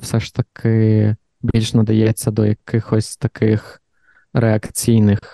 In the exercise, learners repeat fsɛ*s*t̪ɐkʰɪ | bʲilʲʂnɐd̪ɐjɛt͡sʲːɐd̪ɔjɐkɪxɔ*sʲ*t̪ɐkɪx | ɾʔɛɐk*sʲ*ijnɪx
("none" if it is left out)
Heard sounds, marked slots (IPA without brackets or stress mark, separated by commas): ʂ, sʲ, t͡sʲ